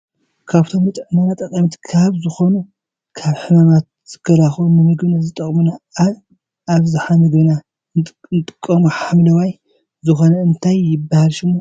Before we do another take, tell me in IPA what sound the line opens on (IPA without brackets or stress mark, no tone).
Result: kʰ